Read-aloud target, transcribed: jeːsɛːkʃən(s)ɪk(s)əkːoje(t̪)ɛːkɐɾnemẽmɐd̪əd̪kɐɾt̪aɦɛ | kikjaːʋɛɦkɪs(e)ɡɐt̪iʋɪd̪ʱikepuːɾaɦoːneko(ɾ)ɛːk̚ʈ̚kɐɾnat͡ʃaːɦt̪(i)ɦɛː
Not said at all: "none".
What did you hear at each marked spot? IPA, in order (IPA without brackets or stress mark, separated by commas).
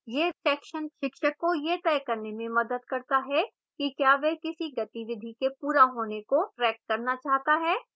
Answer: ʃ, ʃ, t̪, i, ɾ, a